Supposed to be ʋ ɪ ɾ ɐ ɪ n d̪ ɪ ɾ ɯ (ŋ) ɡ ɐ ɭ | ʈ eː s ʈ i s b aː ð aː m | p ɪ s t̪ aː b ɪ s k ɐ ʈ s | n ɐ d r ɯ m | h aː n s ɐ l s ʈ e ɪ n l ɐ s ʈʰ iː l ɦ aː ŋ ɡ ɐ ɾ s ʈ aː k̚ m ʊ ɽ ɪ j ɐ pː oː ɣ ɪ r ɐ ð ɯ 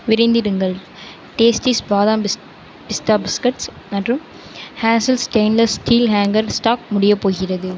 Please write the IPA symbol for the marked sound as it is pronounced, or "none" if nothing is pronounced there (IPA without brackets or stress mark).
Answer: ŋ